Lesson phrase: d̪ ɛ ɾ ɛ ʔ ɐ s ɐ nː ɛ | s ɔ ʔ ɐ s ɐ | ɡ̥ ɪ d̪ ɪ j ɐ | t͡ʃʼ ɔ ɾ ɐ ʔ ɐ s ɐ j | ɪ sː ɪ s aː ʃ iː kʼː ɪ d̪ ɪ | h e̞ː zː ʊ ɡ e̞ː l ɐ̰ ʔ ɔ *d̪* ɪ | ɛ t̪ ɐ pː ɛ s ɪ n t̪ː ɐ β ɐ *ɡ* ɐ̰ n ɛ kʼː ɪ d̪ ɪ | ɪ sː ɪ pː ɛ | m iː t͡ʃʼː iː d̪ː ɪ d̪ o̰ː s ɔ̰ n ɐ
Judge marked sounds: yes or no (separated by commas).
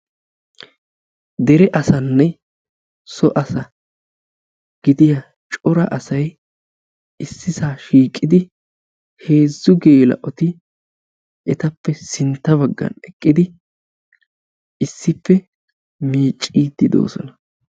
no, no